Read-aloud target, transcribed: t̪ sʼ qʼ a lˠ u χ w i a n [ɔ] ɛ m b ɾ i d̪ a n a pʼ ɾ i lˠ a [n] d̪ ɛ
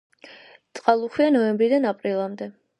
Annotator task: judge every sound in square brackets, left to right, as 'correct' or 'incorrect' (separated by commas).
correct, incorrect